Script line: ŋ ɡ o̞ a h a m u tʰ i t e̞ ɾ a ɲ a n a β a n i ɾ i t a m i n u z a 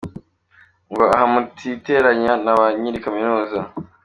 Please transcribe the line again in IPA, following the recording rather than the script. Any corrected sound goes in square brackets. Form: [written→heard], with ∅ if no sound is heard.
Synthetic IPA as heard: ŋ ɡ o̞ a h a m u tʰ i t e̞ ɾ a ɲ a n a β a [n→ɲ] i ɾ i [t→k] a m i n [u→uː] z a